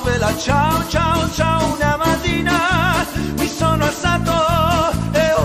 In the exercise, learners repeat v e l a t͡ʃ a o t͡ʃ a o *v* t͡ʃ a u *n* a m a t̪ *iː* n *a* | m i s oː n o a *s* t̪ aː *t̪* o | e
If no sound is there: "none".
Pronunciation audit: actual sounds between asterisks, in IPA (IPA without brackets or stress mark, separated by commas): none, n, iː, a, s, t̪